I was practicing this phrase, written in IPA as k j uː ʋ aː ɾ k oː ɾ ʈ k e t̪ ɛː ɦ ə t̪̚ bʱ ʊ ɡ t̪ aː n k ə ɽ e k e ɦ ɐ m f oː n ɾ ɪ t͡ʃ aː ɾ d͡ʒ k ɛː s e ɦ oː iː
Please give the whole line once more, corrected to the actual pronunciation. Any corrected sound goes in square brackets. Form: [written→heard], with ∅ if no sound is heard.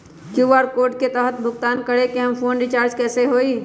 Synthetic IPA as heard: k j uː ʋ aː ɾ k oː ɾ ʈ k e t̪ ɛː ɦ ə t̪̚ bʱ ʊ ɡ t̪ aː n k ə ɽ e k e ɦ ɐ m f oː n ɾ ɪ t͡ʃ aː ɾ d͡ʒ k ɛː s e ɦ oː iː